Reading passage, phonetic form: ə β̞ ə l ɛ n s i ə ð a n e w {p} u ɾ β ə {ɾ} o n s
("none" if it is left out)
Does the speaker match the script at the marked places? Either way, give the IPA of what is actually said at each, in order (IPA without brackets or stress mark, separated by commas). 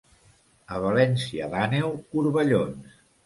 k, ʎ